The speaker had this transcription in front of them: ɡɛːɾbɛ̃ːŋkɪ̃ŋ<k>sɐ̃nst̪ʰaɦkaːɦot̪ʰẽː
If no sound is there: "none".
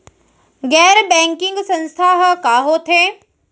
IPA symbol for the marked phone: ɡ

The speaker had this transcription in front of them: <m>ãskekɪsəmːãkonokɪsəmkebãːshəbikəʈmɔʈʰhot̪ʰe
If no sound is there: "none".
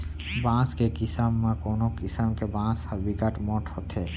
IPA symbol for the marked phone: b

